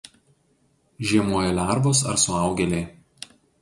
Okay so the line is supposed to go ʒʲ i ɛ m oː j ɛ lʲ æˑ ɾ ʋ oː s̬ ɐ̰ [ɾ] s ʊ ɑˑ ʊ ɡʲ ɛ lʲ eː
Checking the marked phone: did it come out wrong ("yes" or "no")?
no